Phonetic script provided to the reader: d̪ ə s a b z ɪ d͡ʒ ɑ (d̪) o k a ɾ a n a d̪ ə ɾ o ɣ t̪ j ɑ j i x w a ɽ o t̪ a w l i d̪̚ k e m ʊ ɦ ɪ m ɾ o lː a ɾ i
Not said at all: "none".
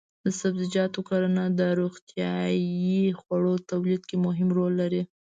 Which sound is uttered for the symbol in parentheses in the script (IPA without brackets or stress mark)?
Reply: t̪